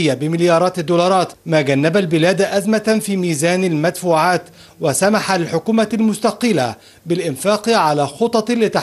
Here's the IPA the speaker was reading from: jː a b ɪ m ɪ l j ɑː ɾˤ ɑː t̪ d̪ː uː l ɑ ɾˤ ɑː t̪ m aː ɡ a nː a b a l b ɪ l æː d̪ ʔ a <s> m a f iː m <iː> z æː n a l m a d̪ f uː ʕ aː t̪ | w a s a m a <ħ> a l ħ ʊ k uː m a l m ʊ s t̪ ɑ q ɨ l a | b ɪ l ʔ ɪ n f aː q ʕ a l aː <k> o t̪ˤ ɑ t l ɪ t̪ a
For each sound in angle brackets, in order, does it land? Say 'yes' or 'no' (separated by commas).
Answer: no, yes, yes, no